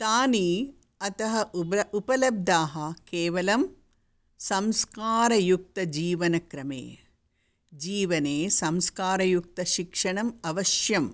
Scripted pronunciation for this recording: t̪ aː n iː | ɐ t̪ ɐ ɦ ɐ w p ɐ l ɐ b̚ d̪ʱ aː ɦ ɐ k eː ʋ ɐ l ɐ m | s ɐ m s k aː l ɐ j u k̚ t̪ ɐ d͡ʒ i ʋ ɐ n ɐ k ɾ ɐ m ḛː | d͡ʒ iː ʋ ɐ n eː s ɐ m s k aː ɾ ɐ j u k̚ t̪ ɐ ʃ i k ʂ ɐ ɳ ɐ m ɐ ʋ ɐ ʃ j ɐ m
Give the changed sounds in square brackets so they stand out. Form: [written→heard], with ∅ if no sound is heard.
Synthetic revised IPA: t̪ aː n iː | ɐ t̪ ɐ ɦ ɐ [w→u] p ɐ l ɐ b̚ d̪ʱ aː ɦ ɐ k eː ʋ ɐ l ɐ m | s ɐ m s k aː [l→ɾ] ɐ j u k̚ t̪ ɐ d͡ʒ [i→iː] ʋ ɐ n ɐ k ɾ ɐ m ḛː | d͡ʒ iː ʋ ɐ n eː s ɐ m s k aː ɾ ɐ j u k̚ t̪ ɐ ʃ i k ʂ ɐ ɳ ɐ m ɐ ʋ ɐ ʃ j ɐ m